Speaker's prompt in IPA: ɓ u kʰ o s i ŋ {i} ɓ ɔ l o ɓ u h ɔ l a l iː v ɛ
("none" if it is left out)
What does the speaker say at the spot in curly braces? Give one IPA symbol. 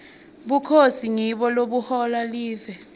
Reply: i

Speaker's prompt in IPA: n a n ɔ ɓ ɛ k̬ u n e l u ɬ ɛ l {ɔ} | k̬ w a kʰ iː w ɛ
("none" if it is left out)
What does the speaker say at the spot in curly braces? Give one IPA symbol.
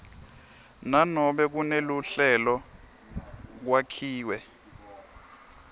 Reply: ɔ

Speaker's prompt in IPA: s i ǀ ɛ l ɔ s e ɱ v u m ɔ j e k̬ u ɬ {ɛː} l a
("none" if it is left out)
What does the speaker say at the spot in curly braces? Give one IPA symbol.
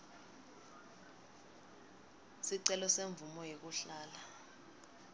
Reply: aː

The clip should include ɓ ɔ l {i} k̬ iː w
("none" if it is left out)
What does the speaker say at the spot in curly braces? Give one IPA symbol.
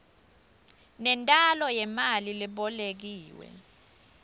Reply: e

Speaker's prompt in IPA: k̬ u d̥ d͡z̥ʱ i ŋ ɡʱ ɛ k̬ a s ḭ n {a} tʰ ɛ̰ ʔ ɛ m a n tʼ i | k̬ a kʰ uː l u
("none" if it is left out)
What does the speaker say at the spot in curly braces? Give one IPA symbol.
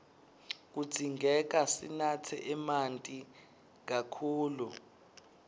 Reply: a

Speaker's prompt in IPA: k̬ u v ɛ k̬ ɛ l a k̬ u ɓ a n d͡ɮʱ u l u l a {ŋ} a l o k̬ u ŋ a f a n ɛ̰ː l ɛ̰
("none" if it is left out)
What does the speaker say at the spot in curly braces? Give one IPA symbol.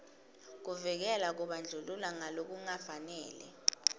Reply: ŋ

